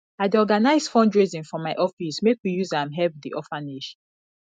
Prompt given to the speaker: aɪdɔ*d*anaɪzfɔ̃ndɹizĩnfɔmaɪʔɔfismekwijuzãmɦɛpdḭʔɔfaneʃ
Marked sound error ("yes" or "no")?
yes